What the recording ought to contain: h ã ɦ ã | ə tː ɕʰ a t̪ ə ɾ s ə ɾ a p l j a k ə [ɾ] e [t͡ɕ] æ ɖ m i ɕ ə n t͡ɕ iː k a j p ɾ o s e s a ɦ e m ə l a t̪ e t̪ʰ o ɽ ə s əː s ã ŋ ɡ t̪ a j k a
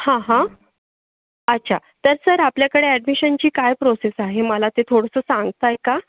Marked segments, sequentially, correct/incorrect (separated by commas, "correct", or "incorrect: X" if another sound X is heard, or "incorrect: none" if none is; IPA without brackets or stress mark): incorrect: ɽ, incorrect: none